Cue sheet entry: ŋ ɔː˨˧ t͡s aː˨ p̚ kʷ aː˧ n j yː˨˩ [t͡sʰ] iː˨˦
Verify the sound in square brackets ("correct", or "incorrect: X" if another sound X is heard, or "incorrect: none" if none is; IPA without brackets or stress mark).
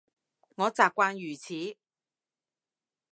correct